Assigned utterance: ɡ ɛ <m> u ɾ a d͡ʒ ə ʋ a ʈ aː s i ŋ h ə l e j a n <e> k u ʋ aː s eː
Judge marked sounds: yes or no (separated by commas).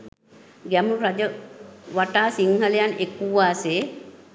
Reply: yes, yes